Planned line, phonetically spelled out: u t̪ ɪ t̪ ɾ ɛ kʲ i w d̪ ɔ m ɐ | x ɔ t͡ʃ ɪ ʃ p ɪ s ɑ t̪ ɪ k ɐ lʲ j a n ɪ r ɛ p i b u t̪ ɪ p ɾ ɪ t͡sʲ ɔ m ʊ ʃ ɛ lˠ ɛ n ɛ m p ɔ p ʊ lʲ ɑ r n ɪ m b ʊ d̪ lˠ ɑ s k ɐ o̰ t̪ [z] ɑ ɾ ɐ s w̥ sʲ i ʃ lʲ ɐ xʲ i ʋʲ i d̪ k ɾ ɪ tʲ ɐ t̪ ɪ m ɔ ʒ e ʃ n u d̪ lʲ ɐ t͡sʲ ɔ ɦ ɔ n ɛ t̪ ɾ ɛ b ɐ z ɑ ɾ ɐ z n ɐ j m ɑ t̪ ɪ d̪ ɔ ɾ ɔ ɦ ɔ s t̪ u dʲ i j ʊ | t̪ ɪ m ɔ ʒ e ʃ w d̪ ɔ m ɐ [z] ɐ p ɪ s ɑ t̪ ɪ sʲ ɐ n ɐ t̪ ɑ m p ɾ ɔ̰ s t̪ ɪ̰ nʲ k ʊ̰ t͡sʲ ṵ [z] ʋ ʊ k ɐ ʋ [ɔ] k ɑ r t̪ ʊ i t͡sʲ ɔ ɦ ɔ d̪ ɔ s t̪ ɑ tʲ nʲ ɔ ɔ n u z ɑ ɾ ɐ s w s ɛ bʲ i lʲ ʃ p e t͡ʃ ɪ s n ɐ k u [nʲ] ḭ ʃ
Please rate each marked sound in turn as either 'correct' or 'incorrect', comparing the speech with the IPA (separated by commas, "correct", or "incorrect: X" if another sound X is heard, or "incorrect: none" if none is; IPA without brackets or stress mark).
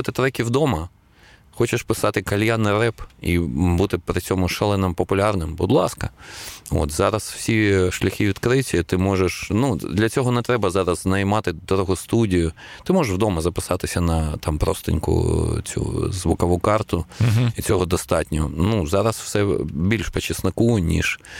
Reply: correct, correct, correct, incorrect: u, correct